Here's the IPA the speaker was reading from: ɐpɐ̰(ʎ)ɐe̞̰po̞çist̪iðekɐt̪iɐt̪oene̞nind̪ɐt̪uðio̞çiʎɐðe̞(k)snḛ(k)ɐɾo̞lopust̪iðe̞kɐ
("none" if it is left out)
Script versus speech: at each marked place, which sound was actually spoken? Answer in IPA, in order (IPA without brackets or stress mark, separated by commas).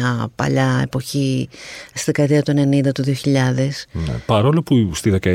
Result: ʎ, none, p